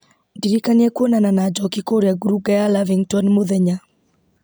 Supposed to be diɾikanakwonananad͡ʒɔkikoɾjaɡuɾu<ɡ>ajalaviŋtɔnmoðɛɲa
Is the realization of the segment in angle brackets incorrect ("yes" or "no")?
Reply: no